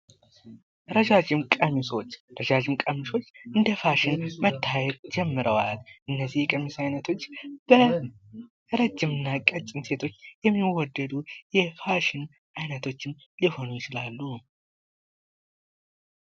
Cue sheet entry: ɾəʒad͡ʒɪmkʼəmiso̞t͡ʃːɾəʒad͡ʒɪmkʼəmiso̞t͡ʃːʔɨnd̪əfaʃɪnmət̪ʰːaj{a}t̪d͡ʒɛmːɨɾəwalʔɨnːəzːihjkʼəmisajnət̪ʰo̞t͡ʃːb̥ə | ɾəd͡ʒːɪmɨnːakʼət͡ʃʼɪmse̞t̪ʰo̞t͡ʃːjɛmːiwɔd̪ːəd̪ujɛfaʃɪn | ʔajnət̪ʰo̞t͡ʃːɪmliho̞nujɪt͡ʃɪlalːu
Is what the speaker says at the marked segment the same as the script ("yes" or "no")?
no